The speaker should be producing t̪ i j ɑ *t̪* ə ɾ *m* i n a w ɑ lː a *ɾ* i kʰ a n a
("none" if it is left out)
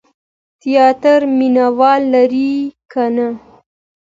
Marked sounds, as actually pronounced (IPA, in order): t̪, m, ɾ

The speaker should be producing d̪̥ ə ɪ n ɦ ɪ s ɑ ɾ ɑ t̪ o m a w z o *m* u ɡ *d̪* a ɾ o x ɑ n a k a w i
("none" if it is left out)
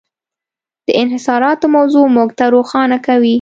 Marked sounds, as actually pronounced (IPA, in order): m, t̪

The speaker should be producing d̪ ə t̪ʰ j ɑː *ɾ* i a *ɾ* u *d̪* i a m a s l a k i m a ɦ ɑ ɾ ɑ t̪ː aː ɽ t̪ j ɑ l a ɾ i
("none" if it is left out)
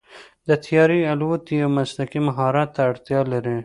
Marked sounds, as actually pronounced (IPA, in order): ɾ, l, t̪

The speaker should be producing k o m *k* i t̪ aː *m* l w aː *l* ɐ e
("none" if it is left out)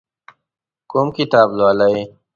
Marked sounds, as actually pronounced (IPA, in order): k, b, l

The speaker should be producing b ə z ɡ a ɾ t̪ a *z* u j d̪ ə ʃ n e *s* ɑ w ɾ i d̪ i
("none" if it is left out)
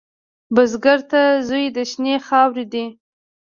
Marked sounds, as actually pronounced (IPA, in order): z, x

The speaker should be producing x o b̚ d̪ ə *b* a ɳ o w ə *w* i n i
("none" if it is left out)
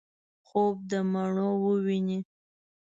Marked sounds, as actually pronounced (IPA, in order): m, w

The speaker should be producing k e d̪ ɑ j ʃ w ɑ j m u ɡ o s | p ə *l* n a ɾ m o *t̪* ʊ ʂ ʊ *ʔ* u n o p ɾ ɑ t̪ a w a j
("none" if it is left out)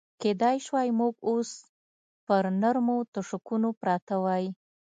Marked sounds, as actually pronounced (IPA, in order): ɾ, t̪, k

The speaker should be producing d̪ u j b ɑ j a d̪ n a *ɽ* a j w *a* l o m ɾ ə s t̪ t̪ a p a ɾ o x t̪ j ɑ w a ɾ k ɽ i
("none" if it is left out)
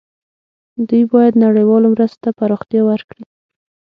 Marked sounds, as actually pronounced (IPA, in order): ɽ, ɑ

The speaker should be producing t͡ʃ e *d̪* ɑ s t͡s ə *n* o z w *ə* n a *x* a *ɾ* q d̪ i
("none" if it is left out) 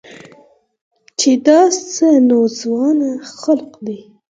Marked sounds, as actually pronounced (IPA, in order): d̪, n, ɑ, x, l

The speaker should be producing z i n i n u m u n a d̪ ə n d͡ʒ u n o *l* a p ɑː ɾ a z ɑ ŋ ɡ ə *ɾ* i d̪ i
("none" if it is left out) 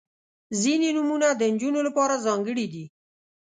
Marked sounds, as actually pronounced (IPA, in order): l, ɽ

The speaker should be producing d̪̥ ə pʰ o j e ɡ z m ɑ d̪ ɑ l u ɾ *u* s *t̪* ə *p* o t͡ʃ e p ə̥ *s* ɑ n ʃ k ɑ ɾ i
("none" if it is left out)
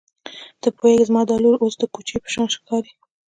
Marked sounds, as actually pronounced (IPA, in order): o, d̪, k, ʃ

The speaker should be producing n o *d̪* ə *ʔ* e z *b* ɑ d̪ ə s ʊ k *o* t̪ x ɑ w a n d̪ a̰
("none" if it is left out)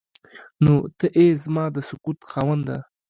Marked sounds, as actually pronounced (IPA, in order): t̪, ʔ, m, u

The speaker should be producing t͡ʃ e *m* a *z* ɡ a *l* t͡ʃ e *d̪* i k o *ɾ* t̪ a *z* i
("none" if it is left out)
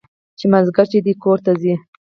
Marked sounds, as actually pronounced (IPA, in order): m, z, ɾ, d̪, ɾ, z

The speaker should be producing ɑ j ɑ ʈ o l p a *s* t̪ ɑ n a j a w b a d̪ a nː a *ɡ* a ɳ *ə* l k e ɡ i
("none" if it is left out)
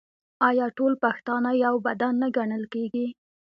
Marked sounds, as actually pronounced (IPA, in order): x, ɡ, ə

